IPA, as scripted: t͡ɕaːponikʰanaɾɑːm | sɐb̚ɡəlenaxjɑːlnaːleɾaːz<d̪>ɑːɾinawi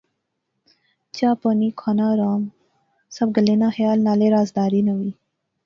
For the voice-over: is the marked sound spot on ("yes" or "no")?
yes